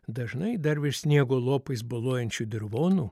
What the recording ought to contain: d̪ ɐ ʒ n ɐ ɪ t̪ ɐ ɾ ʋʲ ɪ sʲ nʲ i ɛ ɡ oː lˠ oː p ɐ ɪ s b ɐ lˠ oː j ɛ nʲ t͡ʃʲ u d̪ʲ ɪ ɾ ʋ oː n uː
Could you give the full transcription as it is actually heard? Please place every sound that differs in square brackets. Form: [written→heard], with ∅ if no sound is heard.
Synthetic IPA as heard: d̪ ɐ ʒ n ɐ ɪ [t̪→d̪] ɐ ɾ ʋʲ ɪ sʲ nʲ i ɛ ɡ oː lˠ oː p ɐ ɪ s b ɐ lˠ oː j ɛ nʲ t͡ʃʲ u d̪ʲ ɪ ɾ ʋ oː n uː